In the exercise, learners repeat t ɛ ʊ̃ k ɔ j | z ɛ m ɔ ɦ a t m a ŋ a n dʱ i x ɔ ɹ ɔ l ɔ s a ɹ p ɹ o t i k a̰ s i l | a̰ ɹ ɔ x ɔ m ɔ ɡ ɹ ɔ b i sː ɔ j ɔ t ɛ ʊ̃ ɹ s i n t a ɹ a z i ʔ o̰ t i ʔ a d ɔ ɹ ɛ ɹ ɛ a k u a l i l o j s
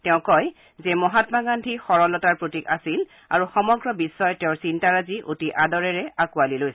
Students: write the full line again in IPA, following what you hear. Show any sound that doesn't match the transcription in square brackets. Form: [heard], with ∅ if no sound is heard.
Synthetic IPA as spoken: t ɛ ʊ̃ k ɔ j | z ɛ m ɔ ɦ a t m a [ɡ] a n dʱ i x ɔ ɹ ɔ l ɔ [t] a ɹ p ɹ o t i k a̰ s i l | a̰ ɹ [u] x ɔ m ɔ ɡ ɹ ɔ b i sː ɔ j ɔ t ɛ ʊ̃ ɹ s i n t a ɹ a z i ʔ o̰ t i ʔ a d ɔ ɹ ɛ ɹ ɛ a k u a l i l o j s